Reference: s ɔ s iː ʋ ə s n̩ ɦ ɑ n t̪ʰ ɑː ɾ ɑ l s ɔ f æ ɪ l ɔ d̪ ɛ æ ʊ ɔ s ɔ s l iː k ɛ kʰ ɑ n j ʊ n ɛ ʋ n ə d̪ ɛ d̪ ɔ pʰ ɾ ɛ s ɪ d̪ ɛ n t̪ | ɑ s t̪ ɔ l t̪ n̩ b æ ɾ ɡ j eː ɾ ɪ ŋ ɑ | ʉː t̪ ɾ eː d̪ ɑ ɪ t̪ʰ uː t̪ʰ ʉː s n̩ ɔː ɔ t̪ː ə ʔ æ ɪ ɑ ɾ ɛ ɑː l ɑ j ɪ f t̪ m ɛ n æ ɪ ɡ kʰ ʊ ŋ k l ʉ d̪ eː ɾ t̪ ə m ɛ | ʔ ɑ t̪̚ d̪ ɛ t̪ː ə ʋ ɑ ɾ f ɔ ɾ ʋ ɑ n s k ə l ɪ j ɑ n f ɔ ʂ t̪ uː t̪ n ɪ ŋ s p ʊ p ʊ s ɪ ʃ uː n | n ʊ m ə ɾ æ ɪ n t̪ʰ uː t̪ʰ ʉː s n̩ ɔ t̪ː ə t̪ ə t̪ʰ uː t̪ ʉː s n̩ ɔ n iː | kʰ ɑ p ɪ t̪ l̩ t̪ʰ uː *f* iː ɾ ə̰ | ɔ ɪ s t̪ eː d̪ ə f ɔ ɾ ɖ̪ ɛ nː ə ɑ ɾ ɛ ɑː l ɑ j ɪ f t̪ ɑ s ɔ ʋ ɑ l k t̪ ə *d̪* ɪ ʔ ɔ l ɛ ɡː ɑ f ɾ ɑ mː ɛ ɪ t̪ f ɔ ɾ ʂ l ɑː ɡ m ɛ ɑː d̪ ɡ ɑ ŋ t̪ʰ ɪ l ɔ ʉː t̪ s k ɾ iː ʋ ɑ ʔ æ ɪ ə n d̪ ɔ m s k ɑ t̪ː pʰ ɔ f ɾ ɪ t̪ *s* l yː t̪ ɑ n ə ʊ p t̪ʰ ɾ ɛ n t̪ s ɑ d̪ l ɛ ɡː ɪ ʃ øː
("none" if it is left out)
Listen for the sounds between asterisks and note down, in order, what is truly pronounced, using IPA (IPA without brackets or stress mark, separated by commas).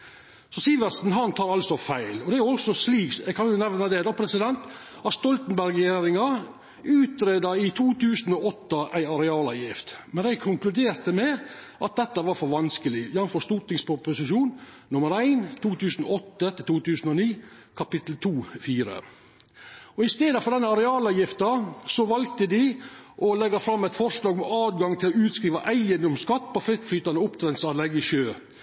f, d̪, f